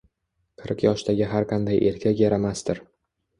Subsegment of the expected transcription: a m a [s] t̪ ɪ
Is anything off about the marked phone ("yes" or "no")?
no